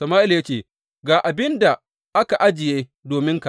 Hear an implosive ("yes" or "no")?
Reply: no